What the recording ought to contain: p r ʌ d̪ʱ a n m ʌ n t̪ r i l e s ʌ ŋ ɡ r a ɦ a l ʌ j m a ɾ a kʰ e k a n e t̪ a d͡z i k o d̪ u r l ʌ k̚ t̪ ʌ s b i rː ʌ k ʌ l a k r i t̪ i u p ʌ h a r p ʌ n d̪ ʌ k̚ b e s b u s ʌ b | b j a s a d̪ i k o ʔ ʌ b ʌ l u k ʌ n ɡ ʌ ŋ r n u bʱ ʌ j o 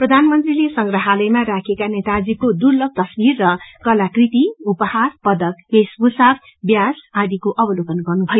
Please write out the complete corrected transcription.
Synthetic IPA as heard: p r ʌ d̪ʱ a n m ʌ n t̪ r i l e s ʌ ŋ ɡ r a ɦ a l ʌ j m a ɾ a kʰ e k a n e t̪ a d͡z i k o d̪ u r l ʌ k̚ t̪ ʌ s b i rː ʌ k ʌ l a k r i t̪ i u p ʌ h a r p ʌ d̪ ʌ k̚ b e s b u s a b | b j a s a d̪ i k o ʔ ʌ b ʌ l o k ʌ n ɡ ʌ r n u bʱ ʌ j o